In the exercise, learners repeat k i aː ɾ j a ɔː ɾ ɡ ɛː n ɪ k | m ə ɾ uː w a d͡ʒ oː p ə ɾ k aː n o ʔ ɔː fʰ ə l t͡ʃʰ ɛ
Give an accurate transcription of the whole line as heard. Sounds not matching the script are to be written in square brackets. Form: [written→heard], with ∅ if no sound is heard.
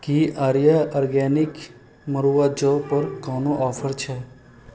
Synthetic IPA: k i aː ɾ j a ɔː ɾ ɡ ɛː n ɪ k | m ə ɾ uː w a d͡ʒ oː p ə ɾ k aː n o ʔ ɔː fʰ ə [l→ɾ] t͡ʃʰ ɛ

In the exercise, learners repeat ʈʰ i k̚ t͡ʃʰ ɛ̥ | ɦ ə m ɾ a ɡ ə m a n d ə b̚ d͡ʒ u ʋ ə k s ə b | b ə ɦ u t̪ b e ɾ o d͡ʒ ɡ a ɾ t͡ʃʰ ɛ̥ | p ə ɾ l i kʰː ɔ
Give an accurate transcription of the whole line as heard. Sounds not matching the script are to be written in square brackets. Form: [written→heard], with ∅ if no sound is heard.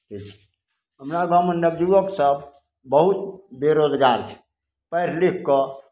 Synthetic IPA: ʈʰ i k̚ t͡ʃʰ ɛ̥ | ɦ ə m ɾ a ɡ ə m [a→ə] n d ə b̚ d͡ʒ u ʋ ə k s ə b | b ə ɦ u t̪ b e ɾ o d͡ʒ ɡ a ɾ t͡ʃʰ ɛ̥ | p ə ɾ l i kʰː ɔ

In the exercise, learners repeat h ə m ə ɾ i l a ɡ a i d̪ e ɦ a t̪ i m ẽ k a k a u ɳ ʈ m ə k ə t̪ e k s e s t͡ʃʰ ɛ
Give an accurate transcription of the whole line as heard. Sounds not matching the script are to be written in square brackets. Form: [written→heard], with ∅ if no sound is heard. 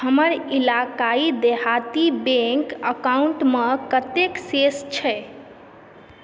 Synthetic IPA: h ə m ə ɾ i l a [ɡ→k] a i d̪ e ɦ a t̪ i [m→b] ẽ k [a→ə] k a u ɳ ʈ m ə k ə t̪ e k s e s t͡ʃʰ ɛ

